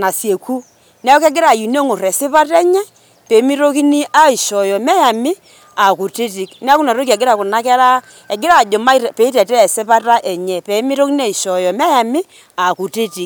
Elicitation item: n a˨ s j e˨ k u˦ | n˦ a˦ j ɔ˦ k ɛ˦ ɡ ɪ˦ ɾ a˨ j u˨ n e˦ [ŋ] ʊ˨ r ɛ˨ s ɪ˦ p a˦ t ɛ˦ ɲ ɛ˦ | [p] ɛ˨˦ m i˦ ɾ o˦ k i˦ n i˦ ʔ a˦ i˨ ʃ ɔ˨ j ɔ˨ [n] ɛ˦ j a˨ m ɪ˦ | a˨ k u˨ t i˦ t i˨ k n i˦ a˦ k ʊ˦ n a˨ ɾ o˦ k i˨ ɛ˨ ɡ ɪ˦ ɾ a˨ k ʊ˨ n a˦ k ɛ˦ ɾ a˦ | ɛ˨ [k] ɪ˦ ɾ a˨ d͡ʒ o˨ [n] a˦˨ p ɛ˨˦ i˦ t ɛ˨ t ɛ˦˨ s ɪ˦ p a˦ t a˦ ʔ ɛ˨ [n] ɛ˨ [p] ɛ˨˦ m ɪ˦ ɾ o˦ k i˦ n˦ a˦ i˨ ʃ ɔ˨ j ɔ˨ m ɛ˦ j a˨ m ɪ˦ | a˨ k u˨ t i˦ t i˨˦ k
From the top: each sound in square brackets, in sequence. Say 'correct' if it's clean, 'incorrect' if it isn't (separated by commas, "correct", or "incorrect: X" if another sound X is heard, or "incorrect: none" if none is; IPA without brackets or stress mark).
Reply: correct, correct, incorrect: m, incorrect: ɡ, incorrect: m, incorrect: ɲ, correct